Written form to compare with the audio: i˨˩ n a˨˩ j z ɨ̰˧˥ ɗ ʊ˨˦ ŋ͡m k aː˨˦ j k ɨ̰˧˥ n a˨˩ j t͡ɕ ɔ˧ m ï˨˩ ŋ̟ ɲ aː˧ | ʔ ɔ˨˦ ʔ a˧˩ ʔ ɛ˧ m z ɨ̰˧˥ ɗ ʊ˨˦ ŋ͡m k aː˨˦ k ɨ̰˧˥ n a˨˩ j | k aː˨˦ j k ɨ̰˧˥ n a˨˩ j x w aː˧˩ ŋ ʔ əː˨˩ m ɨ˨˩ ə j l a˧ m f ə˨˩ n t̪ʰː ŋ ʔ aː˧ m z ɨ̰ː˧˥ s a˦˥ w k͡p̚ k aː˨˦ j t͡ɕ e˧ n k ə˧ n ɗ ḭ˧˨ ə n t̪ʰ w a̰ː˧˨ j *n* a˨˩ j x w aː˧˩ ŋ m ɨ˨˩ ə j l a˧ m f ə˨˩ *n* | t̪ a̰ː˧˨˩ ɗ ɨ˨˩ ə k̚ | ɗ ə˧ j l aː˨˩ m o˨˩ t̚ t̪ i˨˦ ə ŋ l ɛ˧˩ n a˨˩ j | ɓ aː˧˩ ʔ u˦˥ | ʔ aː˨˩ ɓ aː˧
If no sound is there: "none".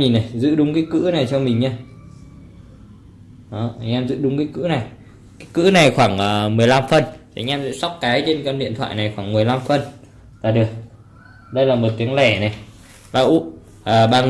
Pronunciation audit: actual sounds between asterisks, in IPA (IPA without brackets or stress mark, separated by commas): n, n